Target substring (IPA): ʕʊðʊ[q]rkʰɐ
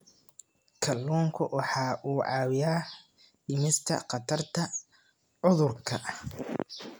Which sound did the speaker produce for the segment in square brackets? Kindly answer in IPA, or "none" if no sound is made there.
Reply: none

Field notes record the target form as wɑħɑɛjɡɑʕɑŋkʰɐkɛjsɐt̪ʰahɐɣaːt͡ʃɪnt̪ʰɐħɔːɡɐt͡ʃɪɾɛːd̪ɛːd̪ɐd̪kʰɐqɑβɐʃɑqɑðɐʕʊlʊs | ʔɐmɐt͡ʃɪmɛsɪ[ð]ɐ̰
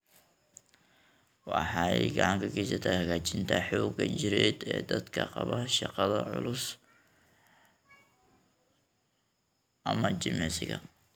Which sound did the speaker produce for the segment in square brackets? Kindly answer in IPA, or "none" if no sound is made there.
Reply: ɣ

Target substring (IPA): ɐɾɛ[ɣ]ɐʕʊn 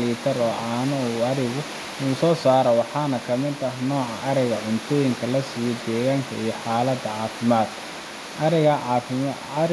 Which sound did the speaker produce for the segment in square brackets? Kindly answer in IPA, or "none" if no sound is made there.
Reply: ɣ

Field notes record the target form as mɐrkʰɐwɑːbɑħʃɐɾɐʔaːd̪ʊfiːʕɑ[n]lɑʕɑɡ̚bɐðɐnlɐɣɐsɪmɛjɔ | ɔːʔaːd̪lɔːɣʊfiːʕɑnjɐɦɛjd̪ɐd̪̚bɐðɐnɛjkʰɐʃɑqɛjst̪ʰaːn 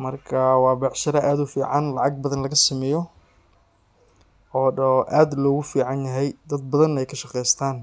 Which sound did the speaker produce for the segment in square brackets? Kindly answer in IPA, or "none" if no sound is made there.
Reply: n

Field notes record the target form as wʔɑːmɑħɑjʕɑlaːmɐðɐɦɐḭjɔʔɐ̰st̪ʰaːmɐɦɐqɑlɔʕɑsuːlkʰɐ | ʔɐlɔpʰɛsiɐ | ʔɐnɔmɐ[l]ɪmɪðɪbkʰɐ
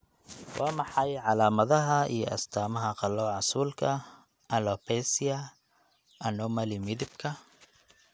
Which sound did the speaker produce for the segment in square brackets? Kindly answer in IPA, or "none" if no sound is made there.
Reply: l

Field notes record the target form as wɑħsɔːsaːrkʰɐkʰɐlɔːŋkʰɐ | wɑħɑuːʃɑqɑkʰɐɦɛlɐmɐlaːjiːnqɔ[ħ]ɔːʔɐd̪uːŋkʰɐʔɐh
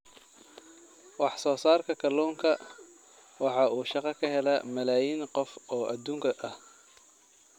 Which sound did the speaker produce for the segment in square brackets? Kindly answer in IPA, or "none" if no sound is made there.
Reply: f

